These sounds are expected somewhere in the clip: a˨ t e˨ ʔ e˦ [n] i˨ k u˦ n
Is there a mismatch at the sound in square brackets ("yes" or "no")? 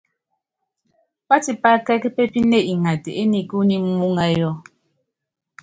no